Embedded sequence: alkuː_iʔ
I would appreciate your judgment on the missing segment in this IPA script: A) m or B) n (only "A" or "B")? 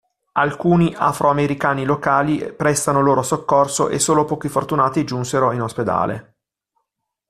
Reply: B